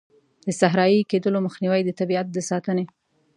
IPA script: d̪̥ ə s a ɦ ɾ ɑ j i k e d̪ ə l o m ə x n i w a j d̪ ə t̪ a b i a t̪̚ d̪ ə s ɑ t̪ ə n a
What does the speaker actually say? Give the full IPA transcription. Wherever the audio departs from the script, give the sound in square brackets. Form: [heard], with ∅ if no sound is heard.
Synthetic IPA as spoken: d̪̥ ə s a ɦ ɾ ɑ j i k e d̪ ə l o m ə x n i w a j d̪ ə t̪ a b i a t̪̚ d̪ ə s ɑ t̪ ə n [e]